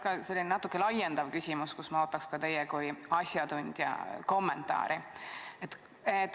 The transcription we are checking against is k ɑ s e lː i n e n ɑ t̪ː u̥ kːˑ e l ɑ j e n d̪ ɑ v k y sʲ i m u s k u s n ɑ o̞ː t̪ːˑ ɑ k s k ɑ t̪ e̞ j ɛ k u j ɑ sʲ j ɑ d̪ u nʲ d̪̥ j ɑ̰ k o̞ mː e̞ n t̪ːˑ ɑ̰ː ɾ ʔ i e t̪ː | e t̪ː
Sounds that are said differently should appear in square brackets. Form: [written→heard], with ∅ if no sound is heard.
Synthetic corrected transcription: k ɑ s e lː i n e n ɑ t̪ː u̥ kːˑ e l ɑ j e n d̪ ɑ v k y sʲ i m u s k u s [n→m] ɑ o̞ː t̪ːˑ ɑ k s k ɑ t̪ e̞ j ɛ k u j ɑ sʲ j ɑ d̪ u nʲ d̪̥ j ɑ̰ k o̞ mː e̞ n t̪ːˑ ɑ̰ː ɾ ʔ i e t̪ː | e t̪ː